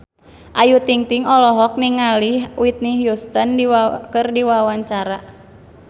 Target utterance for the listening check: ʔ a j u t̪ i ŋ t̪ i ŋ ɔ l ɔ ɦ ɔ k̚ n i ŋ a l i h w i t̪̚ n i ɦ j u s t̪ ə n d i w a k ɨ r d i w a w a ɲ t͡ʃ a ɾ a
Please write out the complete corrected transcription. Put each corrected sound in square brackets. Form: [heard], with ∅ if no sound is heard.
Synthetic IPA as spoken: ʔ a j u t̪ i ŋ t̪ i ŋ ɔ l ɔ ɦ ɔ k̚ n i ŋ a l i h w i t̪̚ n i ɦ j u s t̪ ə n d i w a k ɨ r d i w a w a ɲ t͡ʃ a ɾ a